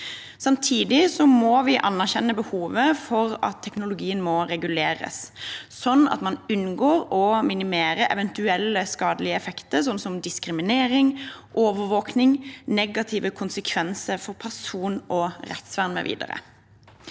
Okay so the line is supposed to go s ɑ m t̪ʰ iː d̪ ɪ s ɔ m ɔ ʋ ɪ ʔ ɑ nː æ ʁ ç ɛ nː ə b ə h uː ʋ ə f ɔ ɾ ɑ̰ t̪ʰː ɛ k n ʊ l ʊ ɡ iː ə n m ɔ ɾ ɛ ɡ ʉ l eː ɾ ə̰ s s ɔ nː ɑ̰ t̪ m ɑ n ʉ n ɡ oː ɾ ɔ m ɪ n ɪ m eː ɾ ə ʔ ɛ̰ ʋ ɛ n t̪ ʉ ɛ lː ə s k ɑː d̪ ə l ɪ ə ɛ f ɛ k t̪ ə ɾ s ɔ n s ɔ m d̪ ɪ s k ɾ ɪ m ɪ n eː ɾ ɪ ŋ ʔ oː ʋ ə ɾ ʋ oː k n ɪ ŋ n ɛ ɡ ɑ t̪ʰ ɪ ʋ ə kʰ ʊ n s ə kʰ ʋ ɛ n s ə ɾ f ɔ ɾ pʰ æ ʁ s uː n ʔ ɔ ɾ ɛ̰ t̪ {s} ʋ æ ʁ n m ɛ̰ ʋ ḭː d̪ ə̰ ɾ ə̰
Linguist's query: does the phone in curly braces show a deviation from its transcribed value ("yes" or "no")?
no